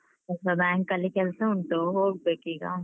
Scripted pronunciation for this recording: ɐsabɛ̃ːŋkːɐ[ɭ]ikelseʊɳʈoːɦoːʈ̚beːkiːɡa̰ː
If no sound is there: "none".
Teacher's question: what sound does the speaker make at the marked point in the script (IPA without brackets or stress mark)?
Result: l